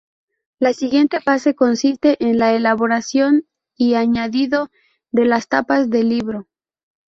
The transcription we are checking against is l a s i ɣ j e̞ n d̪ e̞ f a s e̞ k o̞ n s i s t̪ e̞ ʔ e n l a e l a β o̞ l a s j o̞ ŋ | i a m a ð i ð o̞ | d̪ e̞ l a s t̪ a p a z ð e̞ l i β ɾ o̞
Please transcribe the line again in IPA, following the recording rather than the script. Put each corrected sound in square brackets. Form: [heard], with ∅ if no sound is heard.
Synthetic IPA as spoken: l a s i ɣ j e̞ n [t̪] e̞ f a s e̞ k o̞ n s i s t̪ e̞ ʔ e n l a e l a β o̞ [ɾ] a s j o̞ [n] | i a [ɲ] a ð i ð o̞ | d̪ e̞ l a s t̪ a p a z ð e̞ l i β ɾ o̞